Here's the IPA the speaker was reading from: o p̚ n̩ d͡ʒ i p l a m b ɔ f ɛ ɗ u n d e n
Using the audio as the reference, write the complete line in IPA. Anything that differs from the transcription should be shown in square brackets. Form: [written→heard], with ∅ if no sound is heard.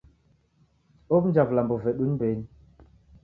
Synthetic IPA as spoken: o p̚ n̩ d͡ʒ [i→a] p l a m b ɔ [f→v] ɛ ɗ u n [d→b] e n

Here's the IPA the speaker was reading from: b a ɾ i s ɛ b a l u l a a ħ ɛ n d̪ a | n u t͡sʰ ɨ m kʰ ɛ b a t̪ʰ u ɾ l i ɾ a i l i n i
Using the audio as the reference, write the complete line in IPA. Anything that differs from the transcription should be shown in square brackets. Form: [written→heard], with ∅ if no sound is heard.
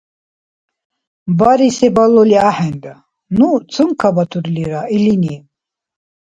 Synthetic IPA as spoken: b a ɾ i s ɛ b a l [u→ɔ] l [a→i] a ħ ɛ n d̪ a | n u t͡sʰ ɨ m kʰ [ɛ→a] b a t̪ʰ u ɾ l i ɾ a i l i n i

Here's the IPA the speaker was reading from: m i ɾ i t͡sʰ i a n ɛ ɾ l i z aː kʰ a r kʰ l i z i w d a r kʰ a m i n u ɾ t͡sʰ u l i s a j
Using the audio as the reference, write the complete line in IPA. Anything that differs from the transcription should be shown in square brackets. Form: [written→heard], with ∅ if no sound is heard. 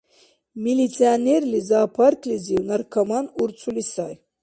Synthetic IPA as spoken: m i [ɾ→l] i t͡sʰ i a n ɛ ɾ l i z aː [kʰ→pʰ] a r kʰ l i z i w [d→n] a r kʰ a m [i→a] n u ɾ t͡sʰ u l i s a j

